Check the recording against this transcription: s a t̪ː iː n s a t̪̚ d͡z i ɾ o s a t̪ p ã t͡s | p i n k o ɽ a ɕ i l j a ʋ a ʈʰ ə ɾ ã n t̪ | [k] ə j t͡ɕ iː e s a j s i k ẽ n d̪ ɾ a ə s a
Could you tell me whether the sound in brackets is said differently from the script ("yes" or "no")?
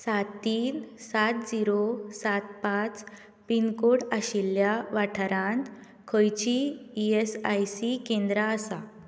yes